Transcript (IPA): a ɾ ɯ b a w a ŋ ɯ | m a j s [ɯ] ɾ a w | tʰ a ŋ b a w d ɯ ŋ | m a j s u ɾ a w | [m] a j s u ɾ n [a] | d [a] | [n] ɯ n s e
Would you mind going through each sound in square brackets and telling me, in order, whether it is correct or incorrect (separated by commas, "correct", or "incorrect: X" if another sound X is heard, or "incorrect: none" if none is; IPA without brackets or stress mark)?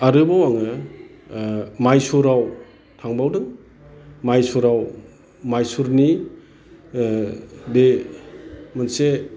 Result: incorrect: u, correct, incorrect: i, incorrect: e, incorrect: m